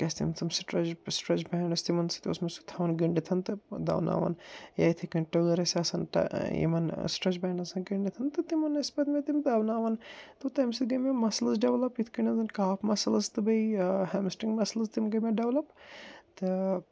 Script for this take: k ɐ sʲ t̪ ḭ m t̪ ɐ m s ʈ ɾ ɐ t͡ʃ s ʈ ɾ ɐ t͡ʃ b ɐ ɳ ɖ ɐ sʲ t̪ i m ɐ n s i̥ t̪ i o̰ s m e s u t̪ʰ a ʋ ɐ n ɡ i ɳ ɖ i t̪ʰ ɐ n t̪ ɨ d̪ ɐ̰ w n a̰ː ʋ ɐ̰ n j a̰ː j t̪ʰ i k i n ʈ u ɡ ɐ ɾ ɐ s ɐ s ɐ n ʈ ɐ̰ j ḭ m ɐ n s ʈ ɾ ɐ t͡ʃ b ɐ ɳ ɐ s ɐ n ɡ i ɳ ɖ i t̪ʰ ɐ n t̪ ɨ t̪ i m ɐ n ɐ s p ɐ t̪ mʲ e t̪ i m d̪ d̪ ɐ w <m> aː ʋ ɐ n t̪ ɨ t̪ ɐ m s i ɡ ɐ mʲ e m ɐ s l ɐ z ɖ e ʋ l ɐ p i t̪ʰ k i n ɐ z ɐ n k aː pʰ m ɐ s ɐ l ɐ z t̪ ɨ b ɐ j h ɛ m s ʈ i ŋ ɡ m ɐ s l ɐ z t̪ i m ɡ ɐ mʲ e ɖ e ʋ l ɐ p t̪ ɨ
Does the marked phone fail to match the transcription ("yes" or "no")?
yes